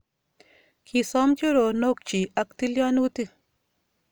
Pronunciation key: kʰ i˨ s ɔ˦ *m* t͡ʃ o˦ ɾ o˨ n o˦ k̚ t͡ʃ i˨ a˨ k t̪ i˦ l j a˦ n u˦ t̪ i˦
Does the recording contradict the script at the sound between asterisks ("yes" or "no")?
no